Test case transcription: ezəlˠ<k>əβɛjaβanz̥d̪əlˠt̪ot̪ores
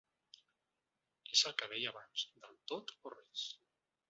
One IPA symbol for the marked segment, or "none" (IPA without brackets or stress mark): k